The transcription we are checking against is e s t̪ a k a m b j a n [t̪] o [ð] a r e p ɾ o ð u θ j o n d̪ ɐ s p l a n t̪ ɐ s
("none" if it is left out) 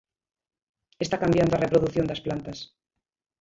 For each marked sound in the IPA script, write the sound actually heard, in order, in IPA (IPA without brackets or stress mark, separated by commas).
d̪, none